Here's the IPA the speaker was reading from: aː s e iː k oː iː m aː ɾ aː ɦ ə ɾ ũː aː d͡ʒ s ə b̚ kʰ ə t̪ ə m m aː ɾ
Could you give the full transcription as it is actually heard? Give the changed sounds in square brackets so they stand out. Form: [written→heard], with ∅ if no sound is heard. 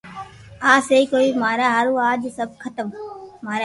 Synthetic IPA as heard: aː s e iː k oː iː m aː ɾ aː ɦ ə ɾ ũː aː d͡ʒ s ə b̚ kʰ ə t̪ ə m m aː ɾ

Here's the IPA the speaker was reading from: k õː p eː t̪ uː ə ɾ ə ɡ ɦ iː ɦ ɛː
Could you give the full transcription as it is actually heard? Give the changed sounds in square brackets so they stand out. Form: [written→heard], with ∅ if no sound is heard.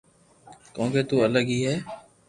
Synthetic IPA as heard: k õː [p→k] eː t̪ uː ə [ɾ→l] ə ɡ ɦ iː ɦ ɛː

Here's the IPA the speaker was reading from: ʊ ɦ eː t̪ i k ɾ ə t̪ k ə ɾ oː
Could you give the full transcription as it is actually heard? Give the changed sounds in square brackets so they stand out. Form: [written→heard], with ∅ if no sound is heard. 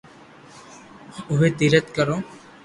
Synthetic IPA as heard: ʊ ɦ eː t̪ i [k→∅] ɾ ə t̪ k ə ɾ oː

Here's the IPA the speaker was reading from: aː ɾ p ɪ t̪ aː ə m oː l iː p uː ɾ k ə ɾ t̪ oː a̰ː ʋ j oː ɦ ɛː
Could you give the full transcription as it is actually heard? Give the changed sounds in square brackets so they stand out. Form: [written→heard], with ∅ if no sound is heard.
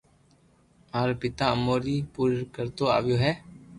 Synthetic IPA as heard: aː ɾ p ɪ t̪ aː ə m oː [l→ɾ] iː p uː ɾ k ə ɾ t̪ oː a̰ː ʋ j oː ɦ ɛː

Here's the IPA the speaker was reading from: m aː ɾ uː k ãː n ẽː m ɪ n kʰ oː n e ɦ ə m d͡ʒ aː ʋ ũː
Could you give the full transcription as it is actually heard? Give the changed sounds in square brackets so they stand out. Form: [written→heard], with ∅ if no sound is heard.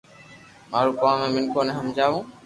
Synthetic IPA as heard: m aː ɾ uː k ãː [n→m] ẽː m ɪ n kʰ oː n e ɦ ə m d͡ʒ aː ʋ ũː

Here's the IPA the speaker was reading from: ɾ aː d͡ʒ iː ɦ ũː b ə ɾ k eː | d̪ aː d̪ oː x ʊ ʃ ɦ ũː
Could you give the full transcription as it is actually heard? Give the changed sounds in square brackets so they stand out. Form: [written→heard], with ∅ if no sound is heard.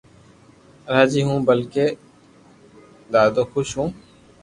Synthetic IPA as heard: ɾ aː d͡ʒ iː ɦ ũː b ə [ɾ→l] k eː | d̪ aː d̪ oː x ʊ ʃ ɦ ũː

